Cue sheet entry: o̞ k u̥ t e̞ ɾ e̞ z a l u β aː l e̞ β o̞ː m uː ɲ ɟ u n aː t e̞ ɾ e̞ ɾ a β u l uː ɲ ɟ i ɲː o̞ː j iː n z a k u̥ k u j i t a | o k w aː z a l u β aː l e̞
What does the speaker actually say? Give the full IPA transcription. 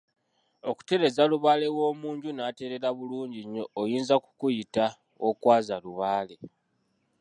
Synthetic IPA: o̞ k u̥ t e̞ ɾ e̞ z a l u β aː l e̞ w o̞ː m uː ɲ ɟ u n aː t e̞ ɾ e̞ ɾ a β u l uː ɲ ɟ i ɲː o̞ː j iː n z a k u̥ k u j i t a | o k w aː z a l u β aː l e̞